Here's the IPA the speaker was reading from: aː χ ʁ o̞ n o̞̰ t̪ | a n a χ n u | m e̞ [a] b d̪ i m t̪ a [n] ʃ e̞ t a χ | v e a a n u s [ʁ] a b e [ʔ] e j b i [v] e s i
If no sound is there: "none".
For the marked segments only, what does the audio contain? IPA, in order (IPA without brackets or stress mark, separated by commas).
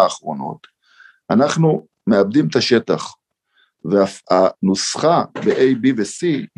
a, none, χ, ʔ, v